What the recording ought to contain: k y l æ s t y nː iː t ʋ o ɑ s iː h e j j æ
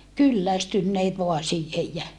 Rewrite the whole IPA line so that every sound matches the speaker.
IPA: k y lː æ s t y nː eː t ʋ o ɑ s iː h e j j æ